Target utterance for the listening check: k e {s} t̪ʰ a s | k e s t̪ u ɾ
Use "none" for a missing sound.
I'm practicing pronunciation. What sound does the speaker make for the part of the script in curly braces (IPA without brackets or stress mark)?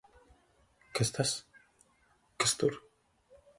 s